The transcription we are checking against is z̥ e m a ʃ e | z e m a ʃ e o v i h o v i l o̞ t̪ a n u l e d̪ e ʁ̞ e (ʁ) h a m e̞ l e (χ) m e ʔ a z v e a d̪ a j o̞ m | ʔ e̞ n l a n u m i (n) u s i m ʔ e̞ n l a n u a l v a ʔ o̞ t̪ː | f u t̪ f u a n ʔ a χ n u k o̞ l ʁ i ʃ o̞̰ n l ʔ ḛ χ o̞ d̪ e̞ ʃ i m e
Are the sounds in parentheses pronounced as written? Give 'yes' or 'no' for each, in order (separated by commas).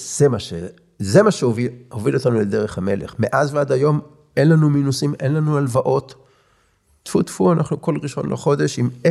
no, yes, yes